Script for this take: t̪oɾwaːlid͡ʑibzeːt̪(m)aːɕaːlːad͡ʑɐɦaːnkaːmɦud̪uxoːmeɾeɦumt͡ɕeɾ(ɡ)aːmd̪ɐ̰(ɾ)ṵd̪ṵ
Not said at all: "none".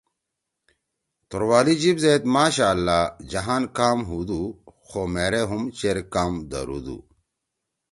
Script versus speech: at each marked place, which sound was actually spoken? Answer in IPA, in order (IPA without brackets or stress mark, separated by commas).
m, k, ɾ